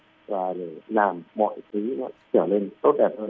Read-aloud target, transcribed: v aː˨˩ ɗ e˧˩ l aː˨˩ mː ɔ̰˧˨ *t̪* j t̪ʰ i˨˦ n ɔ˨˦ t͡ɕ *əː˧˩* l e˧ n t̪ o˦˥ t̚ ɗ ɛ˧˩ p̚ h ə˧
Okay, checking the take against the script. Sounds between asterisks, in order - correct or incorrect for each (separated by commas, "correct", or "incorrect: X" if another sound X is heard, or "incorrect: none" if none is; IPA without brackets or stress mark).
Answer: incorrect: none, correct